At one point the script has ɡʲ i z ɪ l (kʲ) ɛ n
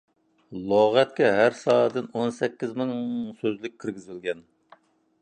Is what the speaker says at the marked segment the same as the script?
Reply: no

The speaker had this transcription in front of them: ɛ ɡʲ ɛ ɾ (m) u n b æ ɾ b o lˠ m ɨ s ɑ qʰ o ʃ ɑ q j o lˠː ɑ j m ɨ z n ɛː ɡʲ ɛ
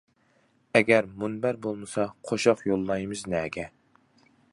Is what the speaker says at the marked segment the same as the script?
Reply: yes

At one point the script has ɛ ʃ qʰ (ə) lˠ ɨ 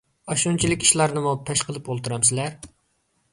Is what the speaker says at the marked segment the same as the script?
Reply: yes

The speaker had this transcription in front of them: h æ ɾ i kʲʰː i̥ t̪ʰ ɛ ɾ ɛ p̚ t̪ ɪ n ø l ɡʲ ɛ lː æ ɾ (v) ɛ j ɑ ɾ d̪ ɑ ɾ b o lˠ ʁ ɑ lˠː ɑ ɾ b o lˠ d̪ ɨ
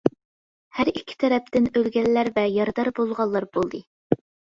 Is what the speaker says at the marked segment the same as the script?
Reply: yes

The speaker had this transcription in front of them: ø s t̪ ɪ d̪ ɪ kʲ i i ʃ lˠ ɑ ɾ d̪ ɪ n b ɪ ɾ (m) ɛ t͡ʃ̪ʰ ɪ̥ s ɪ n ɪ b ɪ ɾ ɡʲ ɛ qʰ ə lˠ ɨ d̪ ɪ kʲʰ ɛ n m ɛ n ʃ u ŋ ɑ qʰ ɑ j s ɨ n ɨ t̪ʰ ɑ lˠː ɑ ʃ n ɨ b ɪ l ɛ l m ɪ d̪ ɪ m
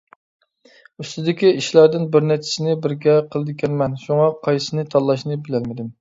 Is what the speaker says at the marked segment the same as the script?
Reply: no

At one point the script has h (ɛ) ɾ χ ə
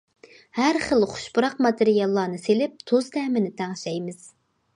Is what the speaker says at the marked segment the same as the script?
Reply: no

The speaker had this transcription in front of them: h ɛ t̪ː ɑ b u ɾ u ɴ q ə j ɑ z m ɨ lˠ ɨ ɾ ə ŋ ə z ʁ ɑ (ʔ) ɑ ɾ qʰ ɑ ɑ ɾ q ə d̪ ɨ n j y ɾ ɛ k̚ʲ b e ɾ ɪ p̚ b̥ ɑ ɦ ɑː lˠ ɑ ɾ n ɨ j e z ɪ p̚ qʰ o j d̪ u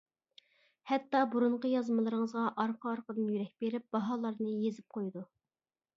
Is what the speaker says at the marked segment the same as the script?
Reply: yes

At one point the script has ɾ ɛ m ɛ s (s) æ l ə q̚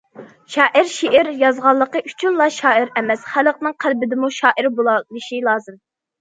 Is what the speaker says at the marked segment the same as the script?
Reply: no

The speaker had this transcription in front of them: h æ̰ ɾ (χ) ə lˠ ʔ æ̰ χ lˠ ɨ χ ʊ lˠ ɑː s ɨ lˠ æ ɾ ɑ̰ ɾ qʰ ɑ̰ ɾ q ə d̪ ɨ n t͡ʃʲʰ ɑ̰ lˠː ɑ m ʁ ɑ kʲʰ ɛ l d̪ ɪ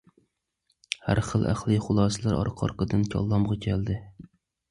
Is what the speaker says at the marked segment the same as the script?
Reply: yes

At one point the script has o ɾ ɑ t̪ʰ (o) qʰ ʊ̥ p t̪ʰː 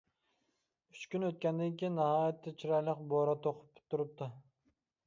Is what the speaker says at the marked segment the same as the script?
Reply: yes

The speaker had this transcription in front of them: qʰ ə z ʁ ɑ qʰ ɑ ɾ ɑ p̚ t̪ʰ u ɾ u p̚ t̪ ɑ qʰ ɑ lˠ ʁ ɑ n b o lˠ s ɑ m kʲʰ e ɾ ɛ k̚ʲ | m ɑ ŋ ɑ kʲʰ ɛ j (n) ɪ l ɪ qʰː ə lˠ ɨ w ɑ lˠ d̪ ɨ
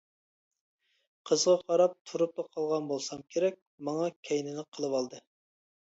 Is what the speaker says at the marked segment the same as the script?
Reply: yes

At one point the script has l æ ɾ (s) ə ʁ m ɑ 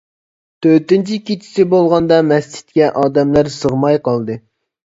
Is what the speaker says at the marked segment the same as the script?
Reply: yes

